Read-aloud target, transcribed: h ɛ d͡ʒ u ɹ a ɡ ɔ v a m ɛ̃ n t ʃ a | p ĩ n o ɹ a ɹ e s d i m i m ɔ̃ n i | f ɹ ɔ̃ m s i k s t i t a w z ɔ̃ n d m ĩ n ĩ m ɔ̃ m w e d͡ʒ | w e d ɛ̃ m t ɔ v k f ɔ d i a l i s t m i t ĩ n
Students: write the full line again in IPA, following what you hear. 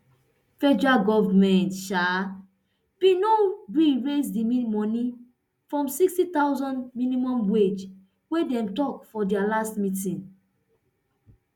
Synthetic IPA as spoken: f ɛ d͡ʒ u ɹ a ɡ ɔ v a m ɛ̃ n t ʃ a | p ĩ n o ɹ i ɹ e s d i m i m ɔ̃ n i | f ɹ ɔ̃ m s i k s t i t a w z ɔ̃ n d m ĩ n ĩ m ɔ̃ m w e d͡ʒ | w e d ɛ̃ m t ɔ k f ɔ d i a l a s t m i t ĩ n

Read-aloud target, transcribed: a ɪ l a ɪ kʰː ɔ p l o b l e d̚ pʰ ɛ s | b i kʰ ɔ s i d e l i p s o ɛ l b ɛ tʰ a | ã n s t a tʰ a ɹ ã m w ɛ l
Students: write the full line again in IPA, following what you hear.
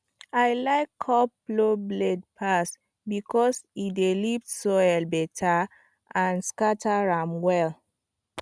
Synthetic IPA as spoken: a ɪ l a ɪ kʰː ɔ p l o b l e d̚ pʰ a s | b i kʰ ɔ s i d e l i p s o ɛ l b ɛ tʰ a | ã n s k a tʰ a ɹ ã m w ɛ l

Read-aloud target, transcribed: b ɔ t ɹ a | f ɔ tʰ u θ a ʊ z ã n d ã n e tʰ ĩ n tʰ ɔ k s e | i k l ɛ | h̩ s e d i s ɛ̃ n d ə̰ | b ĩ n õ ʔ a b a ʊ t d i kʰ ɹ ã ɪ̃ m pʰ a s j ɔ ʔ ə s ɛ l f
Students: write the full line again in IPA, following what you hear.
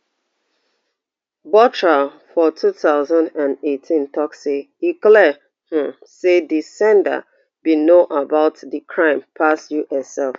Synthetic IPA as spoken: b ɔ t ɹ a | f ɔ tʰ u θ a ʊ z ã n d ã n e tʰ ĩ n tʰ ɔ k s e | i k l ɛ | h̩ s e d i s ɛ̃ n d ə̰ | b i n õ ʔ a b a ʊ t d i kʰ ɹ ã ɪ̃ m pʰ a s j u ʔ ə s ɛ l f

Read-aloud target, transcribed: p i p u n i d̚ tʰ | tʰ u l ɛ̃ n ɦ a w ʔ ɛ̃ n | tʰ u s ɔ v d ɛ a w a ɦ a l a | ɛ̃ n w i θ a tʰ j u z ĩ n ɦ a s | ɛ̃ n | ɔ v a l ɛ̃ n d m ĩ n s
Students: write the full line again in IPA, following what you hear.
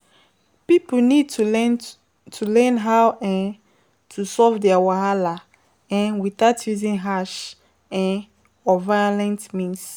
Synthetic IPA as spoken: p i p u n i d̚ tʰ | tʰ u l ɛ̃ n ɦ a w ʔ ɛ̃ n | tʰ u s ɔ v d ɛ a w a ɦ a l a | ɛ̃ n w i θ a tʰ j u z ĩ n ɦ a ʃ | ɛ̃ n | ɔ v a l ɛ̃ n t m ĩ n s

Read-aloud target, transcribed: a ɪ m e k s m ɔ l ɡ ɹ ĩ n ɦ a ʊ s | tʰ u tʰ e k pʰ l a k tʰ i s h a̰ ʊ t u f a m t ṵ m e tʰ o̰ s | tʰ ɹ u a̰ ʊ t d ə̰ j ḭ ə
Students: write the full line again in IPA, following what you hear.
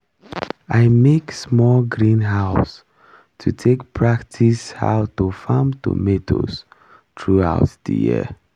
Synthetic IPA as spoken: a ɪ m e k s m ɔ l ɡ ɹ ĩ n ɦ a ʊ s | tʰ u tʰ e k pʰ ɹ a k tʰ i s h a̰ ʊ t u f a m t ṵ m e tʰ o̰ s | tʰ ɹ u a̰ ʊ t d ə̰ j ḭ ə

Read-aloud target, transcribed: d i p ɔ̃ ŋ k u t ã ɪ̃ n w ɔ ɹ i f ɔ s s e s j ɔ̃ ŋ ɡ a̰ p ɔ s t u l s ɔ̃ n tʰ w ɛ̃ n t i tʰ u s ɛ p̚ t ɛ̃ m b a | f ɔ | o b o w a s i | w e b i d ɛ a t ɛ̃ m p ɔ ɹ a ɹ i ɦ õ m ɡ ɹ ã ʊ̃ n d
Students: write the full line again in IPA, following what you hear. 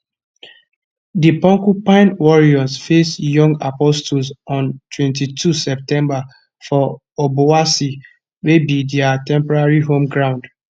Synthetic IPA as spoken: d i p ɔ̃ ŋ k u p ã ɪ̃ n w ɔ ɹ i ɔ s f e s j ɔ̃ ŋ ɡ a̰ p ɔ s t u l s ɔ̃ n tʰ w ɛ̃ n t i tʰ u s ɛ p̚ t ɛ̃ m b a | f ɔ | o b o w a s i | w e b i d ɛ a t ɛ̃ m p ɔ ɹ a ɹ i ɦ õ m ɡ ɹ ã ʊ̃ n d

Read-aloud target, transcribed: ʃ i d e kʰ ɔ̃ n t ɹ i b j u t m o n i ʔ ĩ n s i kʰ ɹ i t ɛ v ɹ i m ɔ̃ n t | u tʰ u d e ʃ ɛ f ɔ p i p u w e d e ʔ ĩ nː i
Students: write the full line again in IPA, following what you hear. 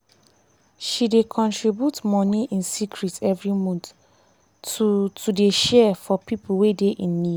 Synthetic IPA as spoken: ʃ i d e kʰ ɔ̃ n t ɹ i b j u t m ɔ n i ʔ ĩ n s i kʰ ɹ i t ɛ v ɹ i m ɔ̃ n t | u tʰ u d e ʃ ɛ f ɔ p i p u w e d e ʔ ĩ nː i

